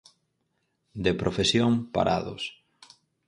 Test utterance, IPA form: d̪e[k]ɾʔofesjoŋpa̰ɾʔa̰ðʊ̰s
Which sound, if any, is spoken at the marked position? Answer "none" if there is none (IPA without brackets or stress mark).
p